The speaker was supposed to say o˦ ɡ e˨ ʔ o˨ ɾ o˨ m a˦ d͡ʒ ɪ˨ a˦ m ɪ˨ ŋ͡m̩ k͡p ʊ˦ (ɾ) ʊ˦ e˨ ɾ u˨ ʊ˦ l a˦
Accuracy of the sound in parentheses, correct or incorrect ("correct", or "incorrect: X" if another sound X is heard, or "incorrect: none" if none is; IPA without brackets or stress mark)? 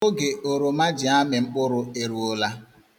correct